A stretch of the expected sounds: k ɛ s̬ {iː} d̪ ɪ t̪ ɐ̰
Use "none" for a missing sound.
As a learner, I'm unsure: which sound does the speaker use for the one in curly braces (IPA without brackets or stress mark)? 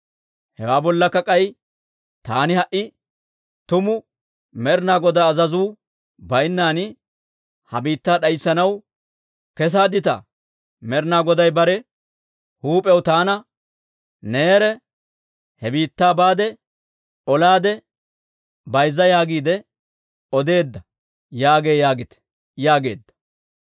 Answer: aː